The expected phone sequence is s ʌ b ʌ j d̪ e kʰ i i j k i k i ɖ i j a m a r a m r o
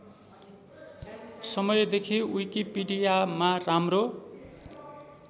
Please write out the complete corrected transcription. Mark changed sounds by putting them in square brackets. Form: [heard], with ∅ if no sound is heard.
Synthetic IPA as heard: s ʌ [m] ʌ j d̪ e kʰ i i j k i [p] i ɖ i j a m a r a m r o